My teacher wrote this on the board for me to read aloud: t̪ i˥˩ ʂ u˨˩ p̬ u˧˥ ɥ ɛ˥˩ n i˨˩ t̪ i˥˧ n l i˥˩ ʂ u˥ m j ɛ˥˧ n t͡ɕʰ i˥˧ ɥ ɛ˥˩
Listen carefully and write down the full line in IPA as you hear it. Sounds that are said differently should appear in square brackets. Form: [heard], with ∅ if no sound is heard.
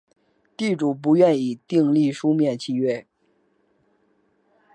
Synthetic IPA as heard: t̪ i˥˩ [ʈ͡ʂ] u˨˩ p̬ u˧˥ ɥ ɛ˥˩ n i˨˩ t̪ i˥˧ [ŋ] l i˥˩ ʂ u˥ m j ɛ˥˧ n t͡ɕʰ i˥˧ ɥ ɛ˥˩